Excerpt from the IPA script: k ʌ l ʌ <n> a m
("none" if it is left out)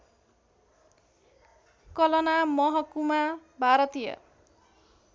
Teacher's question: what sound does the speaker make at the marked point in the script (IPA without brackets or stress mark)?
n